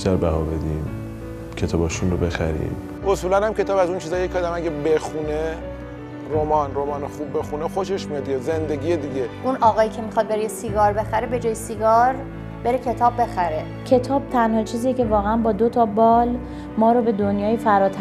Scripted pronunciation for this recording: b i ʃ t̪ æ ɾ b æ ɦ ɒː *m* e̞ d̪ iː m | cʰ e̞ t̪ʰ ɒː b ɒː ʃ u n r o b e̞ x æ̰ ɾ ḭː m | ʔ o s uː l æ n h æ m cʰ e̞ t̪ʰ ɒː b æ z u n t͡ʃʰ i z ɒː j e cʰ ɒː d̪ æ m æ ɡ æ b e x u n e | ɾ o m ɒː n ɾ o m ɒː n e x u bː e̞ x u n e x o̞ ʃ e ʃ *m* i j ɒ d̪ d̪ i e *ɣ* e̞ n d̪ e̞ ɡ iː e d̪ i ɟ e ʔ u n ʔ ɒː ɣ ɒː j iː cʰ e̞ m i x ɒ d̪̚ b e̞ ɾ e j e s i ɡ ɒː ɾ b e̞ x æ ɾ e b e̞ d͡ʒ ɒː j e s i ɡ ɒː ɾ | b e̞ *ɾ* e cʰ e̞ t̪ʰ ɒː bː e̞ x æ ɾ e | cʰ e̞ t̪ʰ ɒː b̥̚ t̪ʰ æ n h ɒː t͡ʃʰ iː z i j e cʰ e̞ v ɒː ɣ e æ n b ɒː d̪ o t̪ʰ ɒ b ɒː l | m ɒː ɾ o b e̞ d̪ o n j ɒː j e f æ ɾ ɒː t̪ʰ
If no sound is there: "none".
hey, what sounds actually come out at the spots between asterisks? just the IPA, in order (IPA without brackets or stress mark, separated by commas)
b, m, z, ɾ